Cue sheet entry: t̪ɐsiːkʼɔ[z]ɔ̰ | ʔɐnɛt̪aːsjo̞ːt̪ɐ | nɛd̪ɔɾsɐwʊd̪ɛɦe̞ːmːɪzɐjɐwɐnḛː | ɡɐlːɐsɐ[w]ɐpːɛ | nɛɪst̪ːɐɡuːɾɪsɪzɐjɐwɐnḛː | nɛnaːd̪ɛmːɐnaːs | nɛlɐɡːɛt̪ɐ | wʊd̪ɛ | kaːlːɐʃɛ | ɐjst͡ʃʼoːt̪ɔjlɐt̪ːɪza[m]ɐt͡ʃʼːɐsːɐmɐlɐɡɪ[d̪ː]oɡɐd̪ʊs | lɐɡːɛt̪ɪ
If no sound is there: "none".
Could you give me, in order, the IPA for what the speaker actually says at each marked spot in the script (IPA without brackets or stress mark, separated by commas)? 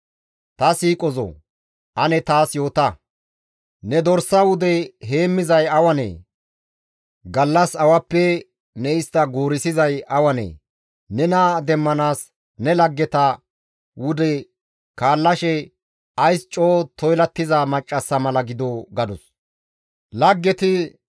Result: z, w, m, d̪